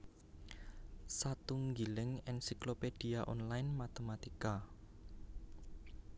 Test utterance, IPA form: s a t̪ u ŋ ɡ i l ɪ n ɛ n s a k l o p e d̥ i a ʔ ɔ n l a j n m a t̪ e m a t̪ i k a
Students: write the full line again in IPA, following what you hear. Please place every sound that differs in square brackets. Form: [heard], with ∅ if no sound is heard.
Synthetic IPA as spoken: s a t̪ u ŋ ɡ i l ɪ [ŋ] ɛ n s [i] k l o p e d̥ i a ʔ ɔ n l a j n m a t̪ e m a t̪ i k a

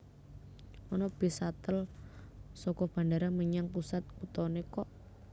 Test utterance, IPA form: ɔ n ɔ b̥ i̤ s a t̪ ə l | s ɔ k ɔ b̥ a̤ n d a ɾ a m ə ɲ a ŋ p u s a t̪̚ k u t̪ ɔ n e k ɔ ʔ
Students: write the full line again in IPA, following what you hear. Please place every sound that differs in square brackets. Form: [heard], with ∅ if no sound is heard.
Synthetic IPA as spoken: ɔ n ɔ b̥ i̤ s a t̪ ə l | s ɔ k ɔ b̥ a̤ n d a ɾ a m ə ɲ a ŋ p u s a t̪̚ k u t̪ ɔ n e k ɔ ʔ

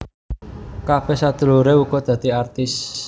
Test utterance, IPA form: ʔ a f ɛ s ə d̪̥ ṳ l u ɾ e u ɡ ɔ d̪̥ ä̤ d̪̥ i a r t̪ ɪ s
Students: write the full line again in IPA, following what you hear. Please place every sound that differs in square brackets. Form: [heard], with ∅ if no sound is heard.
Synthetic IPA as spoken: [k] a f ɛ s [a] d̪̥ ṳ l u ɾ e u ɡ ɔ d̪̥ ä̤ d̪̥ i a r t̪ ɪ s

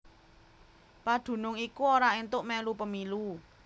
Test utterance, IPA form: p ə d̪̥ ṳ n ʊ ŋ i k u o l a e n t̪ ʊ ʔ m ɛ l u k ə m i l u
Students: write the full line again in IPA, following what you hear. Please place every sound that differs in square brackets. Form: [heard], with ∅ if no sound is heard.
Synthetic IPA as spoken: p [a] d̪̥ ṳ n ʊ ŋ i k u o [ɾ] a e n t̪ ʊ ʔ m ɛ l u [p] ə m i l u

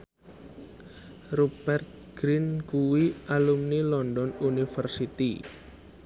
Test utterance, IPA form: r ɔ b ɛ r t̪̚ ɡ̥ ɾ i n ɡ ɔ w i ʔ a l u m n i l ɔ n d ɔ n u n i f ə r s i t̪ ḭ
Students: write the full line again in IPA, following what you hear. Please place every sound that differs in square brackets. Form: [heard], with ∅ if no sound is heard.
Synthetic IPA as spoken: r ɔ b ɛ r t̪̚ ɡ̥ ɾ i n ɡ [u] w i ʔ a l u m n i l ɔ n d ɔ n u n i f ə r s i t̪ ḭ

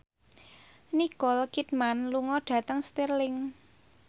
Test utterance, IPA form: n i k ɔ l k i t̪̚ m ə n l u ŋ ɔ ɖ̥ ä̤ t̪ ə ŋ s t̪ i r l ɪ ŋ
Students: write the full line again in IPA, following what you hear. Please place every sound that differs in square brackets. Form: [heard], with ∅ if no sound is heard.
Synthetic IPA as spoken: n i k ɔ l k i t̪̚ m [a] n l u ŋ ɔ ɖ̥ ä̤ t̪ ə ŋ s t̪ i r l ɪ ŋ

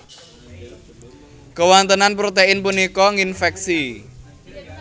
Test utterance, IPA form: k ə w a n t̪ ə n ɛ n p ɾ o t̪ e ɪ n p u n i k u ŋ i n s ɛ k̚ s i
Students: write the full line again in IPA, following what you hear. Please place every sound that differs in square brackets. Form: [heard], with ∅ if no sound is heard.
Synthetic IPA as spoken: k ə w a n t̪ ə n [a] n p ɾ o t̪ e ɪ n p u n i k [ɔ] ŋ i n [f] ɛ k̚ s i

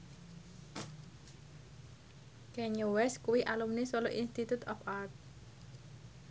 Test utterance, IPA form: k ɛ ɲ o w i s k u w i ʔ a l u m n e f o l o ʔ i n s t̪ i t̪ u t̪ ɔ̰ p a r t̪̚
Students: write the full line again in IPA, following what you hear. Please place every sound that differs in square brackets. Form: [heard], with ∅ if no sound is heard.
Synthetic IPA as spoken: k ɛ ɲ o w [ɛ] s k u w i ʔ a l u m n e [s] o l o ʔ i n s t̪ i t̪ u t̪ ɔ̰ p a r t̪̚

